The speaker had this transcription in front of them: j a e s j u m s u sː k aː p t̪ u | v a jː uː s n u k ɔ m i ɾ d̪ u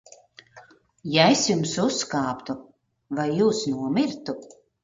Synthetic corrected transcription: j a e s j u m s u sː k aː p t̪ u | v a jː uː s n u ɔ m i ɾ t̪ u